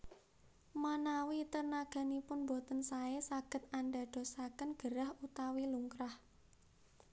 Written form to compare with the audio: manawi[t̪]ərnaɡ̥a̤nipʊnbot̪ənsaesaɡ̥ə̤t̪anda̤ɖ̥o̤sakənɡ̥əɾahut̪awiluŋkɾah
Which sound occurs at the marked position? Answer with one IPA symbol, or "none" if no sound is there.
t̪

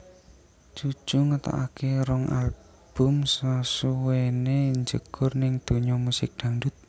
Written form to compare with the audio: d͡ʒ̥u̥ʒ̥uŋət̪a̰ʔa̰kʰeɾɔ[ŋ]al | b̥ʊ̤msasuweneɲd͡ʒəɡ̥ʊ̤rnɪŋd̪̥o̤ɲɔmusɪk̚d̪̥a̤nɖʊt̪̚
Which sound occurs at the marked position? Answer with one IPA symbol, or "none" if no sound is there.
ŋ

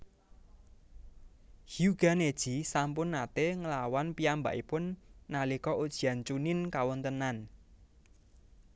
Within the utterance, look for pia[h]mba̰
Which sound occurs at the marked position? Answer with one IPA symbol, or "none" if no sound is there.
none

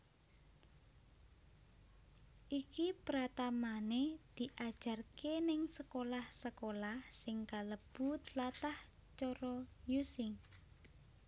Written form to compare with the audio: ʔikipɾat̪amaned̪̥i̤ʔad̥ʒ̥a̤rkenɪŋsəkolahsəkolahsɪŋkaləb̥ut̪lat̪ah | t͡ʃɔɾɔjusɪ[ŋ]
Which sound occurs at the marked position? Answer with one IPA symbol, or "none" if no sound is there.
ŋ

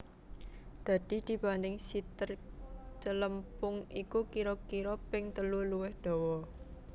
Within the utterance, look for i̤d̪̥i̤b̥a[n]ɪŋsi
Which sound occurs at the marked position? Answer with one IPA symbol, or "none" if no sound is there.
n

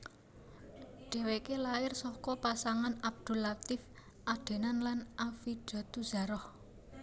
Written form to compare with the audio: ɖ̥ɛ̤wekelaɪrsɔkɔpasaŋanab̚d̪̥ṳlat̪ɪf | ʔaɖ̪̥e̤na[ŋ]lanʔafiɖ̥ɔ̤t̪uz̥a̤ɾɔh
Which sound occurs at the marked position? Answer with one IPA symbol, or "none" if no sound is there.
n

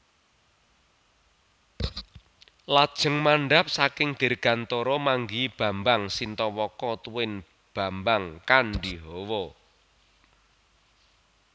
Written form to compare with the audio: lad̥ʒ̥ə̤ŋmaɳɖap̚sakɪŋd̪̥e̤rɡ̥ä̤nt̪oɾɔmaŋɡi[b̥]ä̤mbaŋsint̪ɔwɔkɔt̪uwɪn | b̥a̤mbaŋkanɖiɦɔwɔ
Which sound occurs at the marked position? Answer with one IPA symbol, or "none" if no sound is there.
b̥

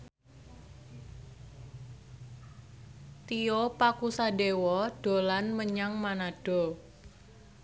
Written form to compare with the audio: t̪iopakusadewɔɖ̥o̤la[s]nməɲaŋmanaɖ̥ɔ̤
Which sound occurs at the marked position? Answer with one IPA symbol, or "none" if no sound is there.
none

